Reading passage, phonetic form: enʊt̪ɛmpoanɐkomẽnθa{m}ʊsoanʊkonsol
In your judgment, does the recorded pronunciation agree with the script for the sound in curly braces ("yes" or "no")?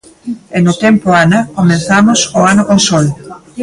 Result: yes